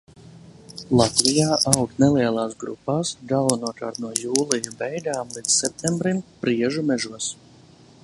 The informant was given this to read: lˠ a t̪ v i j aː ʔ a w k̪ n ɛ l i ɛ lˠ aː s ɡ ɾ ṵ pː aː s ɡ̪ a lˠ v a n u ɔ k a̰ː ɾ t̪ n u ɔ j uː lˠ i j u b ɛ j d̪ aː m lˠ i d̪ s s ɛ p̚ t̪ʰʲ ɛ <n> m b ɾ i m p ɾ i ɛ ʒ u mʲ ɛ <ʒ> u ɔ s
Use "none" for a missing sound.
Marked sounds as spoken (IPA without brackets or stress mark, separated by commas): none, ʒ